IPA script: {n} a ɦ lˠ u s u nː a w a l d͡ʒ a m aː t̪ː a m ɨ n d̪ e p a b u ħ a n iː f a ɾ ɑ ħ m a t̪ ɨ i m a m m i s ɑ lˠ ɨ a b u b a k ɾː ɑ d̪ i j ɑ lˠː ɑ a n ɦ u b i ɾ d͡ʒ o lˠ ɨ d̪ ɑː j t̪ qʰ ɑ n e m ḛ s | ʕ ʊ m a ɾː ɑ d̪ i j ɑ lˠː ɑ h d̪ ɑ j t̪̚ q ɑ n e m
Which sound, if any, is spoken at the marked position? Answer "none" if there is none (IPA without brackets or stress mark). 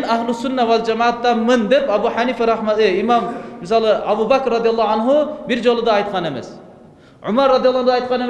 n